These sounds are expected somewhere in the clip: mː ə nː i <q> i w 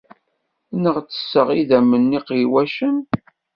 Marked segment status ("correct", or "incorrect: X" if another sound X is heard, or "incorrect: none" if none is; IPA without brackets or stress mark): correct